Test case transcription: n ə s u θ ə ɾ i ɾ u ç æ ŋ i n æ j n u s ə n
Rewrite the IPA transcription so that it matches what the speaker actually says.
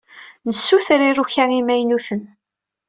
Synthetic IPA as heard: n ə sː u θ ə ɾ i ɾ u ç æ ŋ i m æ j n u θ ə n